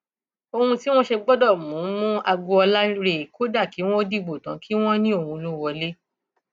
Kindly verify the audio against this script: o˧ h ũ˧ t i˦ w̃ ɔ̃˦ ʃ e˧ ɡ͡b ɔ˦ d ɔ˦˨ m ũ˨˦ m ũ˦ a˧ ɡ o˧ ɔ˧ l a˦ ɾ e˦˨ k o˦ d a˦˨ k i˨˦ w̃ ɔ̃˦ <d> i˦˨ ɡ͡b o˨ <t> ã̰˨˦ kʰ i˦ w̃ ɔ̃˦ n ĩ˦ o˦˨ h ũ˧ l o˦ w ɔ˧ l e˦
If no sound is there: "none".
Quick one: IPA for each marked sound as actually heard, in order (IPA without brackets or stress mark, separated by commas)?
d, t